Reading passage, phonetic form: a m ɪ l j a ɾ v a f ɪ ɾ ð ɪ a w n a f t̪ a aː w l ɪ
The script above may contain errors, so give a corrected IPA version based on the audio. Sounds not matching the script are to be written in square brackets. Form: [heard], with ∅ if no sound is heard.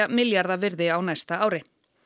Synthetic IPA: a m ɪ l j a ɾ [ð] a [v] ɪ ɾ ð ɪ a w n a [s] t̪ a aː w [ɾ] ɪ